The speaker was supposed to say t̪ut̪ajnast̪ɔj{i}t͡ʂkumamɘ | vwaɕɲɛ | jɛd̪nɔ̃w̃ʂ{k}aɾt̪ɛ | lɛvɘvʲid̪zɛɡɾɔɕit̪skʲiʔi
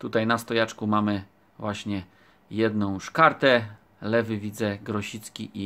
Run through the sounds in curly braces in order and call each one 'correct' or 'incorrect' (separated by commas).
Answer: incorrect, correct